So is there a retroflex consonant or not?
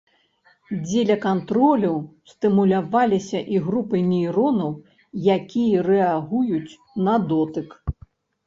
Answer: no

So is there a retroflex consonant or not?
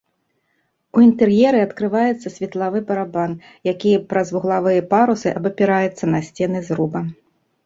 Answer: no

